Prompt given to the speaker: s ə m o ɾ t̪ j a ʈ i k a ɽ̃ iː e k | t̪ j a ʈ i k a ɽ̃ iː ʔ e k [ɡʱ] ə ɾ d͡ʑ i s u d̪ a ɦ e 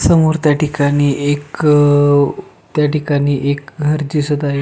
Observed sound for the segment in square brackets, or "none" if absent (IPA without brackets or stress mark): ɡʱ